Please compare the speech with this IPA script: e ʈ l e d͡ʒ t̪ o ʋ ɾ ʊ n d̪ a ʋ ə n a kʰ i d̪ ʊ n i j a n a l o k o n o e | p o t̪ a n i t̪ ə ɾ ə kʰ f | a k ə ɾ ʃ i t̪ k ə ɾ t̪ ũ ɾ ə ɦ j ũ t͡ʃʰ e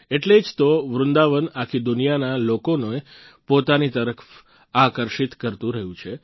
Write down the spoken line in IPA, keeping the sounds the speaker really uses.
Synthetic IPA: e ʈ l e d͡ʒ t̪ o ʋ ɾ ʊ n d̪ a ʋ ə n a kʰ i d̪ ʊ n i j a n a l o k o n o e | p o t̪ a n i t̪ ə ɾ ə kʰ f | a k ə ɾ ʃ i t̪ k ə ɾ t̪ ũ ɾ ə ɦ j ũ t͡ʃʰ e